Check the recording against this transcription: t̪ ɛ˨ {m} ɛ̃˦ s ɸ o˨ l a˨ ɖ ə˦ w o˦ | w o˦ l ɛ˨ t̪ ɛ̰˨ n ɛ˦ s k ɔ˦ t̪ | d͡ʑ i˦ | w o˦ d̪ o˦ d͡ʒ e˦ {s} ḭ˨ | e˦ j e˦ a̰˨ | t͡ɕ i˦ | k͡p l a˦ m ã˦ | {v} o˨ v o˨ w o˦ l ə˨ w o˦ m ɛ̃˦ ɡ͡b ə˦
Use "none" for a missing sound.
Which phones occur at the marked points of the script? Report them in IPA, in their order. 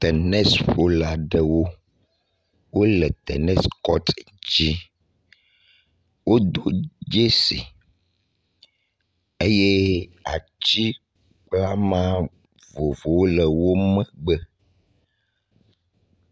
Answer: n, s, v

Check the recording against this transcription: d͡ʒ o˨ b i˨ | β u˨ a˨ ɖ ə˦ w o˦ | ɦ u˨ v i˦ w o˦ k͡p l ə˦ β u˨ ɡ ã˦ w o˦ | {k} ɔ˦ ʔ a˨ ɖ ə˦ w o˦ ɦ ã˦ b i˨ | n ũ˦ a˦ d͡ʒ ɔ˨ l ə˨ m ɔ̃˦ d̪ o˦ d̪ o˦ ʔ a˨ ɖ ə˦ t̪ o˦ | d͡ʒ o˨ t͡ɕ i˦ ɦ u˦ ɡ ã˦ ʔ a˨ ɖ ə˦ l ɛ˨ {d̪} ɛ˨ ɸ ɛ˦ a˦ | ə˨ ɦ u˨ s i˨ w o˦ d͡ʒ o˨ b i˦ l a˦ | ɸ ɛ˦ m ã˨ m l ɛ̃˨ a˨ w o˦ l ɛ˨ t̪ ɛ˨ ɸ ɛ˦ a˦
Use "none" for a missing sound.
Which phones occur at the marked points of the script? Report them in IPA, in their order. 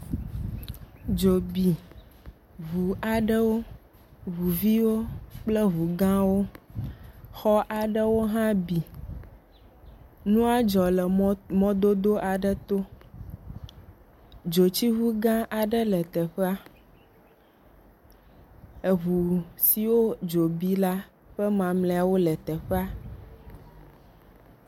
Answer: x, t̪

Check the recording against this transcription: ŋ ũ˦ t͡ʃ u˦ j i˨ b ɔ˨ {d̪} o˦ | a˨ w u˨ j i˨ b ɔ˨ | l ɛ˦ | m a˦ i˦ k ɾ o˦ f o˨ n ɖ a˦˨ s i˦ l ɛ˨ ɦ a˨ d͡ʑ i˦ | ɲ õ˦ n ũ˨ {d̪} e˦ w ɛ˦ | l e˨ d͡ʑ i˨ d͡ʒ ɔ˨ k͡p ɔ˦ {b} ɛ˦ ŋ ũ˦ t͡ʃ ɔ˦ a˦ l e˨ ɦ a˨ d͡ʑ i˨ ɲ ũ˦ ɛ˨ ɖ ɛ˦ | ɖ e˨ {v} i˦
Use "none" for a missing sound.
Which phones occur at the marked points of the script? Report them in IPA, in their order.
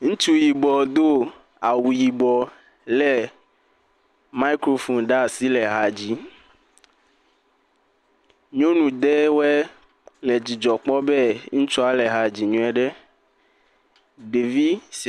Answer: d̪, d̪, b, v

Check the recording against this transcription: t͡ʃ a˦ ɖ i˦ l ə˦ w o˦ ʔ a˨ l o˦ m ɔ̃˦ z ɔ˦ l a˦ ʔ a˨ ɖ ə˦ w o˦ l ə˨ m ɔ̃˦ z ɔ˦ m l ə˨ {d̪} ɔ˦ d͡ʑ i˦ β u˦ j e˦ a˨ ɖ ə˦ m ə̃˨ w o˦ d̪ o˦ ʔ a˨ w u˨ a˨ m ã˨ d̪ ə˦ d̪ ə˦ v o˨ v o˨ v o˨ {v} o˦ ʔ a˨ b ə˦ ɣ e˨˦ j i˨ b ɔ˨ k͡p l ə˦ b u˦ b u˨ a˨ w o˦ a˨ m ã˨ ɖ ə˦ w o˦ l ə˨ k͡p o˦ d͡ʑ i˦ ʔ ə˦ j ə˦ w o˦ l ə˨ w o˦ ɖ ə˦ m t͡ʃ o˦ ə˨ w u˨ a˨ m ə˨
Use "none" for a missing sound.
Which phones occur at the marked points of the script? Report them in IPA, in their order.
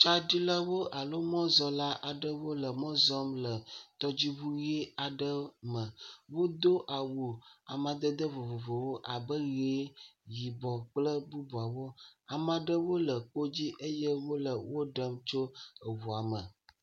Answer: t̪, w

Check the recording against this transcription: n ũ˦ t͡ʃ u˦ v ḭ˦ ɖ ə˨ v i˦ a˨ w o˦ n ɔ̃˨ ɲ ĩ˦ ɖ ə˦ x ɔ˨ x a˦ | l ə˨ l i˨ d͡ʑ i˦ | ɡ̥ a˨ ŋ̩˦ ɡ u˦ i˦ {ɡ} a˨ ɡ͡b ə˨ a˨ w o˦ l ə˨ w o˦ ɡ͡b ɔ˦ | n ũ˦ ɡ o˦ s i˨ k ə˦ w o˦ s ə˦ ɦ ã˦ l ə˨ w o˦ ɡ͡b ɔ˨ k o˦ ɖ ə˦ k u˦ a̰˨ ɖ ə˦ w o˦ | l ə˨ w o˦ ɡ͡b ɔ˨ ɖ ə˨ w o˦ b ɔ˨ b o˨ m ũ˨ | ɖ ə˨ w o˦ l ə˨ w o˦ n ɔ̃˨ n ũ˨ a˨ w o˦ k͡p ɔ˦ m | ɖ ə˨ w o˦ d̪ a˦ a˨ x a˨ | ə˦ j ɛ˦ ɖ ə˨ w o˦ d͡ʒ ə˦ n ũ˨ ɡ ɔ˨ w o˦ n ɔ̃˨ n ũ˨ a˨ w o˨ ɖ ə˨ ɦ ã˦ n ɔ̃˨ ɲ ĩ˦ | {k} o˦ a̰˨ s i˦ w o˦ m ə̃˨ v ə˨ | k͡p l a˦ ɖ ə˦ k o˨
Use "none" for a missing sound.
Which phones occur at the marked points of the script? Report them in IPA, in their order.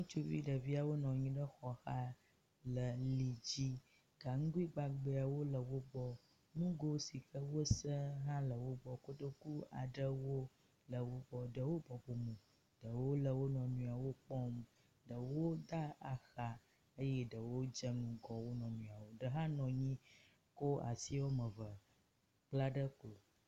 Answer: ɡ͡b, k

